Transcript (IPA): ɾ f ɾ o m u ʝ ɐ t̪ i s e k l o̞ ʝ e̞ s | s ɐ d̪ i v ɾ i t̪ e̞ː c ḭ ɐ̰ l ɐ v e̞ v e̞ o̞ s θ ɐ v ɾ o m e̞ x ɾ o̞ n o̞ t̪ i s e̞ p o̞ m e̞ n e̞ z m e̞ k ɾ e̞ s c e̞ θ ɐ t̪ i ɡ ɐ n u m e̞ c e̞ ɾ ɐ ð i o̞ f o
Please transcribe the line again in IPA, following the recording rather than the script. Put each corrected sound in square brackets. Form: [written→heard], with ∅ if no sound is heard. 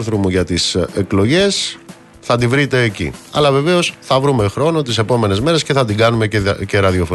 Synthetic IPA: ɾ [f→θ] ɾ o m u ʝ ɐ t̪ i s e k l o̞ ʝ e̞ s | [s→θ] ɐ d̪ i v ɾ i t̪ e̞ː c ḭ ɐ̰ l ɐ v e̞ v e̞ o̞ s θ ɐ v ɾ [o→u] m e̞ x ɾ o̞ n o̞ t̪ i s e̞ p o̞ m e̞ n e̞ z m e̞ [k→∅] ɾ e̞ s c e̞ θ ɐ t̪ i ɡ ɐ n u m e̞ c e̞ ɾ ɐ ð i o̞ f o